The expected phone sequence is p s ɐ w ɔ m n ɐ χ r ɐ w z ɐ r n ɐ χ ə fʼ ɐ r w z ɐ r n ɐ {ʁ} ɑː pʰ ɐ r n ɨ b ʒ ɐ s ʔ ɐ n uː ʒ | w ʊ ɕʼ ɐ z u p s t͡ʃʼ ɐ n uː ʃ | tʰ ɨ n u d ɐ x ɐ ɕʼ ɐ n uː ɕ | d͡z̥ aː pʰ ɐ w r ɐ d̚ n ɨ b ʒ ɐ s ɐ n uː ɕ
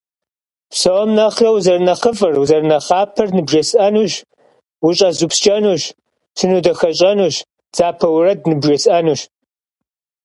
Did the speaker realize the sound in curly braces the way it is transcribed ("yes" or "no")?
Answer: no